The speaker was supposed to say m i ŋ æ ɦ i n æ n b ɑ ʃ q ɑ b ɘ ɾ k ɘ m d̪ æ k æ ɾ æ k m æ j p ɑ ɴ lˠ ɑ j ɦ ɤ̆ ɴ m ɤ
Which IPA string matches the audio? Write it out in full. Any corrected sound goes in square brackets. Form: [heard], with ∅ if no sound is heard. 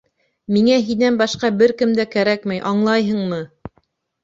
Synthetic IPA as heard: m i ŋ æ ɦ i n æ n b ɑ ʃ q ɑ b ɘ ɾ k ɘ m d̪ æ k æ ɾ æ k m æ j [ʔ] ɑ ɴ lˠ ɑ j ɦ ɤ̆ ɴ m ɤ

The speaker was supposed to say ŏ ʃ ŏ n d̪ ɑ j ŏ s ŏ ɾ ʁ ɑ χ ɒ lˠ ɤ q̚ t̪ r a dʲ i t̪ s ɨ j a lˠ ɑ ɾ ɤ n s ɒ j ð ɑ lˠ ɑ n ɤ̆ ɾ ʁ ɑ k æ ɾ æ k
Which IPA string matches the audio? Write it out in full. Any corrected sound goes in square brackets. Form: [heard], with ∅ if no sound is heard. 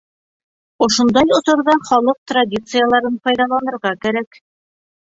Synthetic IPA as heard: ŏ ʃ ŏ n d̪ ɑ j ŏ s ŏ ɾ [ð] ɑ χ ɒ lˠ ɤ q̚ t̪ r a dʲ i t̪ s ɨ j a lˠ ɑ ɾ ɤ n [f] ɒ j ð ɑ lˠ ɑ n ɤ̆ ɾ ʁ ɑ k æ ɾ æ k

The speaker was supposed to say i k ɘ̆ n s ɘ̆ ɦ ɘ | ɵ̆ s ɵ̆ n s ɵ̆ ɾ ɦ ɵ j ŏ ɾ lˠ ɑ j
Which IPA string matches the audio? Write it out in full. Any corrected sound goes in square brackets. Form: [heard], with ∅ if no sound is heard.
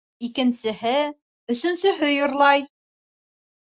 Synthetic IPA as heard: i k ɘ̆ n s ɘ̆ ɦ ɘ | ɵ̆ s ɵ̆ n s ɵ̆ [∅] ɦ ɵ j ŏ ɾ lˠ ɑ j

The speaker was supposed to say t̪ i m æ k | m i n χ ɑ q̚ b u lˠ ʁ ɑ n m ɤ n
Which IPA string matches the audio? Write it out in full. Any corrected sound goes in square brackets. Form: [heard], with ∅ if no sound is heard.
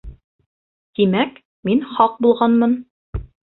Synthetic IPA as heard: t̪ i m æ k | m i n χ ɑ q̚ b u lˠ ʁ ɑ n m ɤ n

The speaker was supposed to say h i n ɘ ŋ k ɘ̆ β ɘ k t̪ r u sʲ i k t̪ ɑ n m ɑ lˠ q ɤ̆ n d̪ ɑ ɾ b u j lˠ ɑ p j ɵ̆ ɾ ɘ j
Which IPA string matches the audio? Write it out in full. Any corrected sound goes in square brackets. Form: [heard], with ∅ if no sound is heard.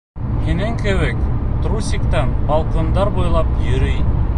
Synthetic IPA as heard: h i n ɘ ŋ k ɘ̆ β ɘ k t̪ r u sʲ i k t̪ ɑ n [b] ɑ lˠ q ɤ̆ n d̪ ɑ ɾ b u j lˠ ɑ p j ɵ̆ ɾ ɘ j

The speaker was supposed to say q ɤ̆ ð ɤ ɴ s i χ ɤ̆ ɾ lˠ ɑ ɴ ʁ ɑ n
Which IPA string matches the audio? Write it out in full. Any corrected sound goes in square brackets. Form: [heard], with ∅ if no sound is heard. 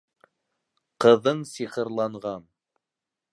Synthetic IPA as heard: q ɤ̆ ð ɤ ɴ s i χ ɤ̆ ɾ lˠ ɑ ɴ ʁ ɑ n

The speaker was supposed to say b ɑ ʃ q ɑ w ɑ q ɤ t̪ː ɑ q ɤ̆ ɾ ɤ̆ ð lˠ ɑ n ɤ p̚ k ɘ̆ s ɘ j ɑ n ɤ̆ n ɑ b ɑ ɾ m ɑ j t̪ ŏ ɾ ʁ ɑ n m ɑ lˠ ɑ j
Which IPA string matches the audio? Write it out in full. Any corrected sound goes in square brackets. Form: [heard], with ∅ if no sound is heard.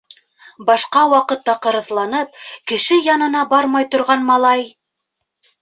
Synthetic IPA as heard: b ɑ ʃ q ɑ w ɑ q ɤ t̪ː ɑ q ɤ̆ ɾ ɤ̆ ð lˠ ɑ n ɤ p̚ k ɘ̆ [ʃ] ɘ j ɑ n ɤ̆ n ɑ b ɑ ɾ m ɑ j t̪ ŏ ɾ ʁ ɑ n m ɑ lˠ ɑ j

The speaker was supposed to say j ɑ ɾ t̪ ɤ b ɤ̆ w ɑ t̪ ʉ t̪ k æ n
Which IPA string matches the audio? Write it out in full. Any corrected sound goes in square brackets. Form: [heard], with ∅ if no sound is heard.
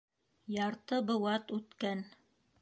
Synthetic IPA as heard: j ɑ ɾ t̪ ɤ b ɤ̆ w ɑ t̪ ʉ t̪ k æ n

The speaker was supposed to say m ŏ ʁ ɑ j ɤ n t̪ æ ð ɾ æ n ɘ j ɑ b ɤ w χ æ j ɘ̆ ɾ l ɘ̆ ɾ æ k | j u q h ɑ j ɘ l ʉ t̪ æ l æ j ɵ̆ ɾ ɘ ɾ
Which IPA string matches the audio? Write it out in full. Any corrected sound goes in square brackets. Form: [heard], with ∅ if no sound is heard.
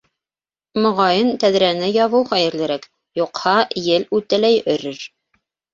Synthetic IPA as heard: m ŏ ʁ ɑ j ɤ n t̪ æ ð ɾ æ n ɘ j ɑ [β] ɤ w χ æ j ɘ̆ ɾ l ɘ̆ ɾ æ k | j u q h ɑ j ɘ l ʉ t̪ æ l æ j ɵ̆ ɾ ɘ ɾ

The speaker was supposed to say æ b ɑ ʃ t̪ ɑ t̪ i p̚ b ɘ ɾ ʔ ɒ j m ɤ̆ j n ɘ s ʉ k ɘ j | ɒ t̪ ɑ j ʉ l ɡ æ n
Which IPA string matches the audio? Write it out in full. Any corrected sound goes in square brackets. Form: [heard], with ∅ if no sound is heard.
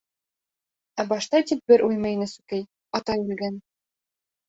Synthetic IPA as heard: æ b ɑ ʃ t̪ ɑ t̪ i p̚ b ɘ ɾ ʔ [u] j m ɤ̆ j n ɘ s ʉ k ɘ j | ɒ t̪ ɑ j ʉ l ɡ æ n

